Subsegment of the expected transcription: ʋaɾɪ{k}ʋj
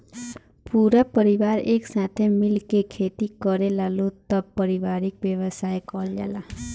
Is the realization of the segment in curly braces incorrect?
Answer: no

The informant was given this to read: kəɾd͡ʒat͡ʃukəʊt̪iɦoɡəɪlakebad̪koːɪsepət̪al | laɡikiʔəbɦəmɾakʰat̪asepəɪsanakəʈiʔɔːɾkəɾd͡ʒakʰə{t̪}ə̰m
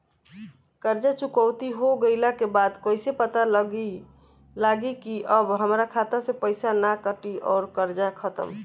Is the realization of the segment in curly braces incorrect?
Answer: no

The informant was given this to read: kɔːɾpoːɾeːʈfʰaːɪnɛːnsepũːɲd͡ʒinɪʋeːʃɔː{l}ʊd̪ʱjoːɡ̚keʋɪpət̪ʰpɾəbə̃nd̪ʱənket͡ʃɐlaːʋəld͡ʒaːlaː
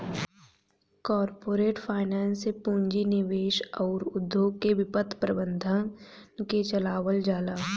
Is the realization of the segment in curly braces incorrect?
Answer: yes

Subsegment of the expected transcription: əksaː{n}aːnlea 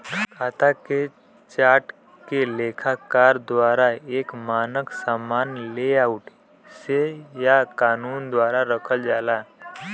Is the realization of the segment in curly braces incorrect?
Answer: yes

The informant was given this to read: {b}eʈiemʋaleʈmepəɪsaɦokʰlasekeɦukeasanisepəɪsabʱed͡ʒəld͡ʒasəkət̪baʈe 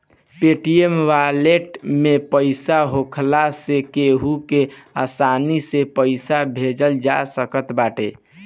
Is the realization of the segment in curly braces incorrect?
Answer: yes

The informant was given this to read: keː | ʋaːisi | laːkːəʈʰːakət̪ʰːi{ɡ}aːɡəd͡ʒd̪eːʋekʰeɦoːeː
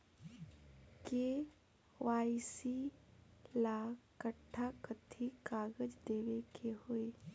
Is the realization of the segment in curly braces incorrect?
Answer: yes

